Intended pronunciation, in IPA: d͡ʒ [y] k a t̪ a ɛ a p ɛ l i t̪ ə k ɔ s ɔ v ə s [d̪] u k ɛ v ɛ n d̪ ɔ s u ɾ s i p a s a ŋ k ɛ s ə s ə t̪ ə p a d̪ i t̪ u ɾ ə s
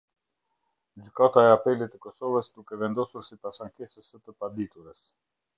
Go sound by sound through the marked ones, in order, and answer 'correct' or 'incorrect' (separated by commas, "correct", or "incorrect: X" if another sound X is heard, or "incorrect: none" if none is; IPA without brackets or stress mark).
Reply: correct, correct